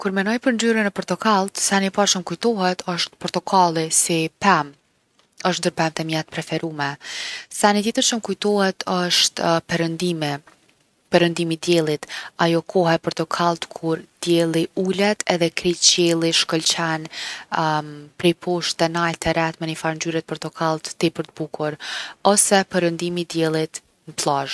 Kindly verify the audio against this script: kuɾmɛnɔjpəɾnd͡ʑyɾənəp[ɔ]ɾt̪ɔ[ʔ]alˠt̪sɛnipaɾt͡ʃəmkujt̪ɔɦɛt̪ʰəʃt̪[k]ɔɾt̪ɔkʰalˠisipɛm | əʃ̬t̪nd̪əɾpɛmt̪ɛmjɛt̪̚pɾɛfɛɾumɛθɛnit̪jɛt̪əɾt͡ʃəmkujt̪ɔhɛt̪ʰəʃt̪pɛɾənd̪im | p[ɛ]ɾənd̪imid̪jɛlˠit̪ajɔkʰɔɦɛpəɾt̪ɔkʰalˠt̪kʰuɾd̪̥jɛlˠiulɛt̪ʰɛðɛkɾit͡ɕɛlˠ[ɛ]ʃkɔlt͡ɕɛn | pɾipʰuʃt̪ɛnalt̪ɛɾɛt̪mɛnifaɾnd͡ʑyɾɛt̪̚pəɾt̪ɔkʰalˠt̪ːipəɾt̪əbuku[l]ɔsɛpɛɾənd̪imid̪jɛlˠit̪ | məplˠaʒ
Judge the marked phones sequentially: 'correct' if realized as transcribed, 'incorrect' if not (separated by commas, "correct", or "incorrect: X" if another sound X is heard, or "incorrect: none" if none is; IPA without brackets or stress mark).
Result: correct, incorrect: k, incorrect: p, correct, incorrect: i, incorrect: ɾ